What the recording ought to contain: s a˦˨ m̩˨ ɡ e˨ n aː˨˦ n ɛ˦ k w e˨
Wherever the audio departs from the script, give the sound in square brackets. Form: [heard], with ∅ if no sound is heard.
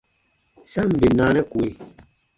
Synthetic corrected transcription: s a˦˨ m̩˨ [b] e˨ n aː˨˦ n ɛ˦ k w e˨